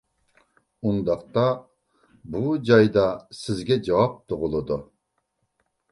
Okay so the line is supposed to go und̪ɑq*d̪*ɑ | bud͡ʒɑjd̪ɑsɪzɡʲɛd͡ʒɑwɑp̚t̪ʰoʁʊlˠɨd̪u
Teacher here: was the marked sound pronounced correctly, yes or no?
no